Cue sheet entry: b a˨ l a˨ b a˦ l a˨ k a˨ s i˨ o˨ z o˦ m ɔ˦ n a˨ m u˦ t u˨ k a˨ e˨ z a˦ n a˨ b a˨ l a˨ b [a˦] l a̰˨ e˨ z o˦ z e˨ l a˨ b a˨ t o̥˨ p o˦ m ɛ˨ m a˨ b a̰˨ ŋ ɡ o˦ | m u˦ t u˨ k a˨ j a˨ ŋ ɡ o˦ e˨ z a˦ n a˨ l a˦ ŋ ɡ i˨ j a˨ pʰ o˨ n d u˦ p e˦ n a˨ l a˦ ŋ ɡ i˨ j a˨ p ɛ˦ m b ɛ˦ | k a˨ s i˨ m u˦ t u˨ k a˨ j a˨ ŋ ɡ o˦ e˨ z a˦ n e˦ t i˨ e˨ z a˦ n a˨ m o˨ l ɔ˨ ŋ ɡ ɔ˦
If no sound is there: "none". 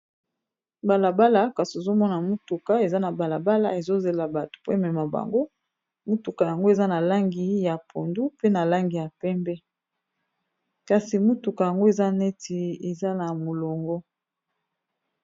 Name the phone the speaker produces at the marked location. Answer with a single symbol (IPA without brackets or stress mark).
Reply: a˦